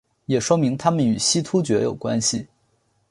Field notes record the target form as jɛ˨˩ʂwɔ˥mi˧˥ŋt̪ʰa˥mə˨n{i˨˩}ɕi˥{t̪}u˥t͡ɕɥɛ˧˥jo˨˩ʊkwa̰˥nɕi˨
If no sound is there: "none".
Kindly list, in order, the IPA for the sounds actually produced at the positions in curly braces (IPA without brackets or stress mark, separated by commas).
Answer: y˨˩, t̪ʰ